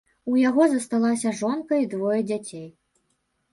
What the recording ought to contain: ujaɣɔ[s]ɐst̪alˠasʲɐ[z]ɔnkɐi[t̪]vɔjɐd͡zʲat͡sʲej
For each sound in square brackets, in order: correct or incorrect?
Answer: incorrect, incorrect, incorrect

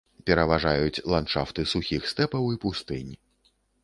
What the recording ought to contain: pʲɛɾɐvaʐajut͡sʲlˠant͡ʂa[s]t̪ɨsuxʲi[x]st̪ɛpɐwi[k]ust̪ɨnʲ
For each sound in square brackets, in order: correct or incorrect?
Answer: incorrect, correct, incorrect

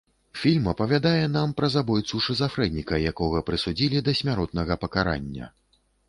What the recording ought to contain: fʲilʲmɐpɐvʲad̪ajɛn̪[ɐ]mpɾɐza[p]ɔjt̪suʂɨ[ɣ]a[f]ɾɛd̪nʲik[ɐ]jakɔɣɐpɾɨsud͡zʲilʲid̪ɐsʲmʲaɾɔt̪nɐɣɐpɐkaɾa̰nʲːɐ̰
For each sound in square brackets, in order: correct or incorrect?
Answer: incorrect, incorrect, incorrect, correct, correct

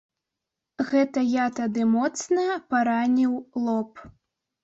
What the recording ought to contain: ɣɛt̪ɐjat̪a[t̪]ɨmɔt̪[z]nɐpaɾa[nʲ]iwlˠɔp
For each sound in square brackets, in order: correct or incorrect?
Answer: incorrect, incorrect, correct

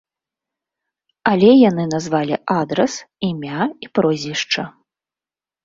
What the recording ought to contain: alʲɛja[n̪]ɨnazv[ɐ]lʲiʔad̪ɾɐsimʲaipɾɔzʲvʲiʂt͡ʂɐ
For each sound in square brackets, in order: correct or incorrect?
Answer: correct, incorrect

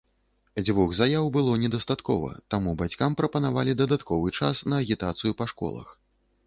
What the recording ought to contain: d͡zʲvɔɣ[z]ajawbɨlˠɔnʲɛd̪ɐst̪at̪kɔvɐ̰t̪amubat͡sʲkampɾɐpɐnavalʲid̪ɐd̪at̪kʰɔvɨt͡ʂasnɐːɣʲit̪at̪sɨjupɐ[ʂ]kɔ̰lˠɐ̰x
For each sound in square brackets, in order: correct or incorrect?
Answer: correct, correct

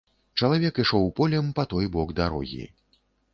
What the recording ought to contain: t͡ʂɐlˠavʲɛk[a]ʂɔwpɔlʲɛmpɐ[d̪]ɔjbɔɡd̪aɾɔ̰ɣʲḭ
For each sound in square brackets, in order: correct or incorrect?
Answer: incorrect, incorrect

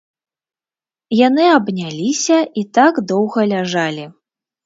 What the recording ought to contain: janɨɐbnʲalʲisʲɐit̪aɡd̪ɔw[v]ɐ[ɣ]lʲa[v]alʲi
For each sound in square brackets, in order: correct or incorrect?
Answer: incorrect, incorrect, incorrect

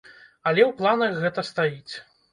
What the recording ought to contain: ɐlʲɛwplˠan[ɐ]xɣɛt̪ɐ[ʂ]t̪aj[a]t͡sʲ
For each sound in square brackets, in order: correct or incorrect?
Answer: correct, incorrect, incorrect

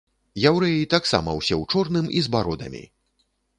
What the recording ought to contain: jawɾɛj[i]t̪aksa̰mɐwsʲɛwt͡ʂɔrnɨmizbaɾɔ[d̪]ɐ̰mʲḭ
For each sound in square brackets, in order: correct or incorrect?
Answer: correct, correct

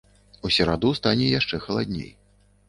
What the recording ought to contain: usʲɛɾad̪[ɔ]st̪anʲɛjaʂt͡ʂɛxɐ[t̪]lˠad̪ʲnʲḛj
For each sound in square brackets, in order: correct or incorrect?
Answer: incorrect, incorrect

